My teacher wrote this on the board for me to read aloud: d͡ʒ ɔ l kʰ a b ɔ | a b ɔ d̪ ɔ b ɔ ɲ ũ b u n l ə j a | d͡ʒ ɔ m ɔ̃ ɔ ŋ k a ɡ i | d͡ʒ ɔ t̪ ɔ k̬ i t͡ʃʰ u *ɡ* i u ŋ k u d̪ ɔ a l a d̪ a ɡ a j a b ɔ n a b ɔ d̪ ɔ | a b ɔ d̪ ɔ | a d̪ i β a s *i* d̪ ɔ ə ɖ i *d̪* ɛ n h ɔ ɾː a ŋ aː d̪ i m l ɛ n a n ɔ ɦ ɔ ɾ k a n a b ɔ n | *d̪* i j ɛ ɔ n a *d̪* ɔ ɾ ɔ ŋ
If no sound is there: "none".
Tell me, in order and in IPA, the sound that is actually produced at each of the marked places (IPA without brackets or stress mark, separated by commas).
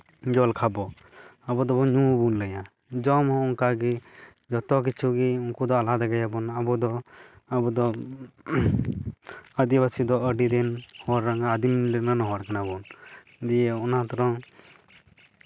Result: ɡ, i, d̪, d̪, t̪